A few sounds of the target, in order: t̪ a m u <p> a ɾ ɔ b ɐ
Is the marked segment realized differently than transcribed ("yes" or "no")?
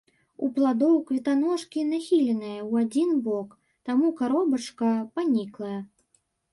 yes